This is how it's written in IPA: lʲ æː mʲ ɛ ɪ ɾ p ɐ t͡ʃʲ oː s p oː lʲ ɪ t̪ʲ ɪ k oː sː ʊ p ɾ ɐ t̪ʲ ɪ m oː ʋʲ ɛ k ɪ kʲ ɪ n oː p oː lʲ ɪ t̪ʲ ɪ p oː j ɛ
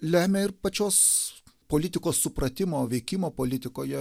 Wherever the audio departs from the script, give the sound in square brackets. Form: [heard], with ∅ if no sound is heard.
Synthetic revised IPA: lʲ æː mʲ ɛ ɪ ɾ p ɐ t͡ʃʲ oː s p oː lʲ ɪ t̪ʲ ɪ k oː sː ʊ p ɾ ɐ t̪ʲ ɪ m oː ʋʲ ɛ [∅] ɪ kʲ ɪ [m] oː p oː lʲ ɪ t̪ʲ ɪ [k] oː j ɛ